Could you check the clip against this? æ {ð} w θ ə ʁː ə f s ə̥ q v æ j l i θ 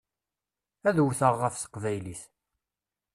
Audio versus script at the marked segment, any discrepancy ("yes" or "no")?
no